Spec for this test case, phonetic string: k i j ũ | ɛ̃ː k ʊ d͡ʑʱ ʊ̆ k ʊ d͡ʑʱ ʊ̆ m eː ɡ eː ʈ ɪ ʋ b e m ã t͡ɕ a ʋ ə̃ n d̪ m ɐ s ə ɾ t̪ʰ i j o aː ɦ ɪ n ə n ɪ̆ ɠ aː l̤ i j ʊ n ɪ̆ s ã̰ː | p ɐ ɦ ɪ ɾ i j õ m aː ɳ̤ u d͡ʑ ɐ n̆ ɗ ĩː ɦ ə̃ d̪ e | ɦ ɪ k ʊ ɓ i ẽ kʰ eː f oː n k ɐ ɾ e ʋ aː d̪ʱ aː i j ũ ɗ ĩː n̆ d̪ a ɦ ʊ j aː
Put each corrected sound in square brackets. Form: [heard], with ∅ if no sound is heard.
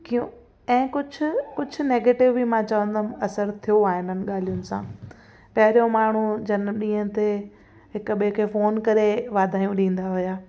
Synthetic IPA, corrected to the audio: k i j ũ | ɛ̃ː k ʊ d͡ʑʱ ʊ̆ k ʊ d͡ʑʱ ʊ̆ [n] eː ɡ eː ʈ ɪ ʋ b [i] m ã t͡ɕ [ɐ] ʋ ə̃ n d̪ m ɐ s ə ɾ t̪ʰ i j o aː ɦ ɪ n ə n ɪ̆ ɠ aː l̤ i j ʊ n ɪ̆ s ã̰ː | p ɐ ɦ ɪ ɾ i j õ m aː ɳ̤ u d͡ʑ ɐ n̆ ɗ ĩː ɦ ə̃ [t̪] e | ɦ ɪ k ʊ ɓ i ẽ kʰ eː f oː n k ɐ ɾ e ʋ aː d̪ʱ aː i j ũ ɗ ĩː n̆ d̪ a ɦ ʊ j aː